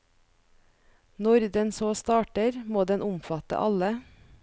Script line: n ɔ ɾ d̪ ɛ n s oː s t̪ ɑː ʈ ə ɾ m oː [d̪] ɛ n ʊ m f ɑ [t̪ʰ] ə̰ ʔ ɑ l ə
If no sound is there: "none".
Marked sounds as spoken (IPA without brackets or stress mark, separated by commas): d̪, t̪